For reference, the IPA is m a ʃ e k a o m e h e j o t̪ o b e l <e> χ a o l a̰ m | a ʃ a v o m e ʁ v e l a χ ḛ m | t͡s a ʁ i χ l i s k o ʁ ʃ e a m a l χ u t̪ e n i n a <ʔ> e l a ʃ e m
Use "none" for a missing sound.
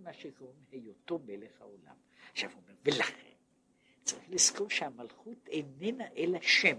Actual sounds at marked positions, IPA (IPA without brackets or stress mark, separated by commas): e, ʔ